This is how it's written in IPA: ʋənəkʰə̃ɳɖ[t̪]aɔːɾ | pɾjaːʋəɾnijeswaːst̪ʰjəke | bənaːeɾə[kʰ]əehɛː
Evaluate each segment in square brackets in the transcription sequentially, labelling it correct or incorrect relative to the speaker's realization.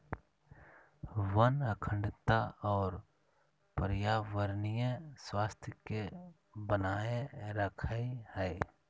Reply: correct, correct

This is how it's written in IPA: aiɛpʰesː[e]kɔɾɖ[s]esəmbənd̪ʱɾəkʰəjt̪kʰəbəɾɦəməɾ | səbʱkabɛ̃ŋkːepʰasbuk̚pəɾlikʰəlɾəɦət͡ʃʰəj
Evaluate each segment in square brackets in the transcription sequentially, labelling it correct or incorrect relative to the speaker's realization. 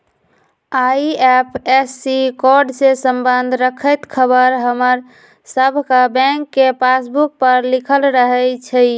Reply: incorrect: i, correct

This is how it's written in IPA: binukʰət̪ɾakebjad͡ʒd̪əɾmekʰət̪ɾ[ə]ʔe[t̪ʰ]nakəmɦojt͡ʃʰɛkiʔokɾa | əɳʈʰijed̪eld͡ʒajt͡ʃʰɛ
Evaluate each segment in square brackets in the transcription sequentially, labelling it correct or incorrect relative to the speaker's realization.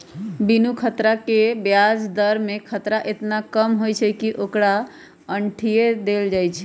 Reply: incorrect: a, incorrect: t̪

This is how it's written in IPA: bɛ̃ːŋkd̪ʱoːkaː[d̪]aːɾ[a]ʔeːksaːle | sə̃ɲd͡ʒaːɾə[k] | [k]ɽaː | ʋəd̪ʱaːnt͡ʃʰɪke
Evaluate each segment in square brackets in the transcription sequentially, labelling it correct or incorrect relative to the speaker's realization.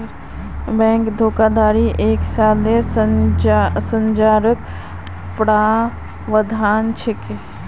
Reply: correct, incorrect: i, correct, incorrect: p

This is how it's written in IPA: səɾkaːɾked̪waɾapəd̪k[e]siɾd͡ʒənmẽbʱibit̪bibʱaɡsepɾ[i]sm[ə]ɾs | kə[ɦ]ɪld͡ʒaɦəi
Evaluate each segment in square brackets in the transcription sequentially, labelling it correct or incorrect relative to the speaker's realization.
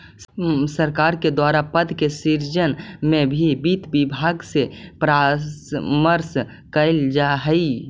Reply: correct, incorrect: a, correct, incorrect: none

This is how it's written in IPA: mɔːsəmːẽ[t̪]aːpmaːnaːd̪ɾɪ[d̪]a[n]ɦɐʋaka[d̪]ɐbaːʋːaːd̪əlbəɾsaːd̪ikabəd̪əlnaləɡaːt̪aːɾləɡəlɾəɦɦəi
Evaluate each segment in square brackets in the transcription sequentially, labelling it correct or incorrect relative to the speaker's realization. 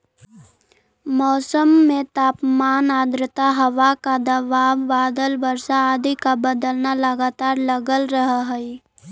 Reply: correct, incorrect: t̪, incorrect: none, correct

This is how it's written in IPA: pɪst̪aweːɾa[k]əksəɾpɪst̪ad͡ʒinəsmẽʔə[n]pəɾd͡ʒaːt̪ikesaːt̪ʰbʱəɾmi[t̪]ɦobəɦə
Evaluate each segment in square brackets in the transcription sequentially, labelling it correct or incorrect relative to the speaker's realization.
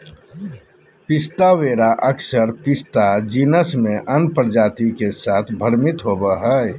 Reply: incorrect: ʔ, correct, correct

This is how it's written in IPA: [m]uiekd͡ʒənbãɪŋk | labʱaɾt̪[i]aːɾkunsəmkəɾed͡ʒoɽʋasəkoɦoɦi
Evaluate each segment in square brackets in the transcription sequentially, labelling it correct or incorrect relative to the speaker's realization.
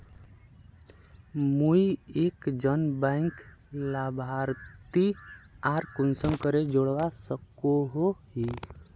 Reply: correct, correct

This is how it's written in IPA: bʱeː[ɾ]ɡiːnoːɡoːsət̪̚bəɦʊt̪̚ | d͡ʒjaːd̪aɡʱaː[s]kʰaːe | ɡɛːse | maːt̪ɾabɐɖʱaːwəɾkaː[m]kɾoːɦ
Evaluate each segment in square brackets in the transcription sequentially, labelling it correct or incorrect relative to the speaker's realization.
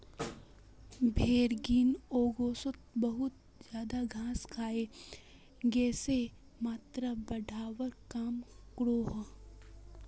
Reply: correct, correct, correct

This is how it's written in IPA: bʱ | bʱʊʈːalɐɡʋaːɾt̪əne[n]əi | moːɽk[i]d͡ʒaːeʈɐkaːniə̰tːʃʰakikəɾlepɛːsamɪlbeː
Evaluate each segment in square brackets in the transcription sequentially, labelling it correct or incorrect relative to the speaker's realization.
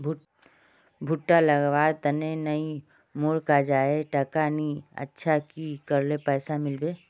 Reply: correct, incorrect: a

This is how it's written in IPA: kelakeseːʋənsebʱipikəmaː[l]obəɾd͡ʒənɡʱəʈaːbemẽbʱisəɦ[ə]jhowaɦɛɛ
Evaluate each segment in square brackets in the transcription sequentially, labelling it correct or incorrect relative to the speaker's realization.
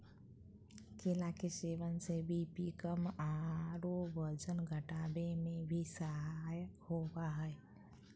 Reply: incorrect: ɾ, incorrect: a

